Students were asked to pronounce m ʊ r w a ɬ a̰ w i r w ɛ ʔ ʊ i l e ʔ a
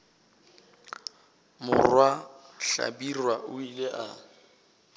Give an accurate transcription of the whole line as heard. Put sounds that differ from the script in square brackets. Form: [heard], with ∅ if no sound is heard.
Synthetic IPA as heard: m ʊ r w a ɬ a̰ [b] i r w [a] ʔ ʊ i l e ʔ a